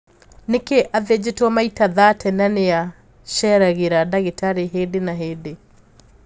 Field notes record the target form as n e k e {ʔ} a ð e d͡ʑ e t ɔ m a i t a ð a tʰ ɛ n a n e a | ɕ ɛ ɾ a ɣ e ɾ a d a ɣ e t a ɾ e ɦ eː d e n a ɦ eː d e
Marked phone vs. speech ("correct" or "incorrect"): correct